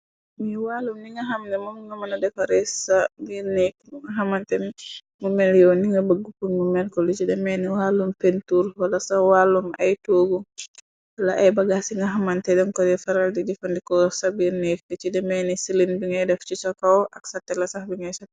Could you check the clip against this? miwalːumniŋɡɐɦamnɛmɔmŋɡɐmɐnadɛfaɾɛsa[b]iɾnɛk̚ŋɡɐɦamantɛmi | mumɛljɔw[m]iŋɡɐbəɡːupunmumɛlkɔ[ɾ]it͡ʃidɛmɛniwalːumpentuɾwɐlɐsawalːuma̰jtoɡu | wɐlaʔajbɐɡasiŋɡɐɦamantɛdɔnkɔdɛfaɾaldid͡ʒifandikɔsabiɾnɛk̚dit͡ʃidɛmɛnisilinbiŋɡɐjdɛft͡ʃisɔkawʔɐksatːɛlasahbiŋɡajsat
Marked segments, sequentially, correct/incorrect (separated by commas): correct, incorrect, incorrect